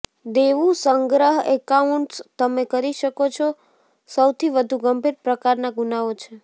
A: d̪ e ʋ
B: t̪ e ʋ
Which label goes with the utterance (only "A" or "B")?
A